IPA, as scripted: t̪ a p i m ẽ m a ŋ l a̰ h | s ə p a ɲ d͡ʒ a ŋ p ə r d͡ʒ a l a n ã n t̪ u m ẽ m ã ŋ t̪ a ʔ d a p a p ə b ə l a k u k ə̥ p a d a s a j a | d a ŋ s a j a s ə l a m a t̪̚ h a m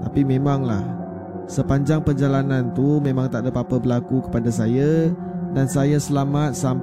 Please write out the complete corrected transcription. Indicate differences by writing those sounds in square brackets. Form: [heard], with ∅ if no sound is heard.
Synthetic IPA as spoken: t̪ a p i m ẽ m a ŋ l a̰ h | s ə p a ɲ d͡ʒ a ŋ p ə r d͡ʒ a l a n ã n t̪ u m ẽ m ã ŋ t̪ a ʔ d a p a p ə b ə l a k u k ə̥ p a d a s a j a | d a [n] s a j a s ə l a m a t̪̚ [s] a m